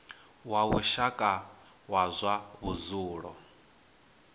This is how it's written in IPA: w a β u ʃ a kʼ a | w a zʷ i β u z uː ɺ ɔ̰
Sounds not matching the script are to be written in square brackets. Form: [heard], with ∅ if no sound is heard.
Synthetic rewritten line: w a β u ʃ a kʼ a | w a zʷ [a] β u z uː ɺ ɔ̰